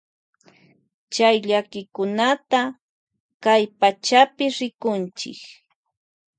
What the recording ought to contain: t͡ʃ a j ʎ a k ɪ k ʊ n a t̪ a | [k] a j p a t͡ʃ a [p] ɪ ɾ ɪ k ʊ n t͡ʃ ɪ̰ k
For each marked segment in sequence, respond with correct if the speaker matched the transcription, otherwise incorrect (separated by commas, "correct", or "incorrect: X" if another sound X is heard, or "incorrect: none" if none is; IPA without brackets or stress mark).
correct, correct